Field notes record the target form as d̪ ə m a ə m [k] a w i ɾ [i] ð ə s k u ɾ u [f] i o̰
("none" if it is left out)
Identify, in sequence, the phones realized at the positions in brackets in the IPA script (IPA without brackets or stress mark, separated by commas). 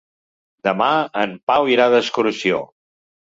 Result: p, a, s